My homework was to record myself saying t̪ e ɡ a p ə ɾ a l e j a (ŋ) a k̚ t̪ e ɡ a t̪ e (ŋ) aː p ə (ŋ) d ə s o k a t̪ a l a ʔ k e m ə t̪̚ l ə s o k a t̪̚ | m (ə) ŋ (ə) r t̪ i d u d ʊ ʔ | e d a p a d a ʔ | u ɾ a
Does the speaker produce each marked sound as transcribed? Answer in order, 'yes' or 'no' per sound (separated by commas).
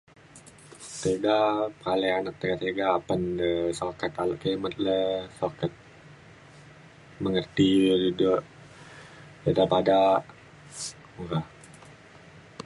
no, no, no, yes, yes